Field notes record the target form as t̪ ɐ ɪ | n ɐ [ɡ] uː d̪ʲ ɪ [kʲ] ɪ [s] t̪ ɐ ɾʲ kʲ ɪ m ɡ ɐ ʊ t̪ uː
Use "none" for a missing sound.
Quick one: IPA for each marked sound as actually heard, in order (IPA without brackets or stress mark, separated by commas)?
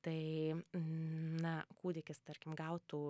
k, kʲ, s